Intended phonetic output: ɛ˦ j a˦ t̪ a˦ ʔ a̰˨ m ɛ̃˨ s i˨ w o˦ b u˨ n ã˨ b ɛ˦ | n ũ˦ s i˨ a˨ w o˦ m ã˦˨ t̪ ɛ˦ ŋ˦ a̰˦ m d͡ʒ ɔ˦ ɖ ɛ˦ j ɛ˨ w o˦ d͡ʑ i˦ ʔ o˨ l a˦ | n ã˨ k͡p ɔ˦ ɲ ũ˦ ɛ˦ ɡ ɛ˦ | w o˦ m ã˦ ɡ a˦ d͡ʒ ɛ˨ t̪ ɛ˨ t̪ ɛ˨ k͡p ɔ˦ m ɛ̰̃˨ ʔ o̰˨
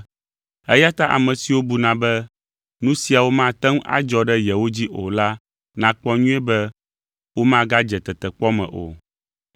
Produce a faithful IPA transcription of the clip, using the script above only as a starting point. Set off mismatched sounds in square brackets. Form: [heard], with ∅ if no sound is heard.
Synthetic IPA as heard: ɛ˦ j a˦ t̪ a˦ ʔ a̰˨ m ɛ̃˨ s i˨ w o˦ b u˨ n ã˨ b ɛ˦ | n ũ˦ s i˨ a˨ w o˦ m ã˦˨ t̪ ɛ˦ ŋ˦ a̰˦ [∅] d͡ʒ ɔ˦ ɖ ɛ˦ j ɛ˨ w o˦ d͡ʑ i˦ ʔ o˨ l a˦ | n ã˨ k͡p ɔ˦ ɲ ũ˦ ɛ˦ [b] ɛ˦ | w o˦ m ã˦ ɡ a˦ d͡ʒ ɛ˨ t̪ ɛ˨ t̪ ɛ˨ k͡p ɔ˦ m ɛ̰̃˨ ʔ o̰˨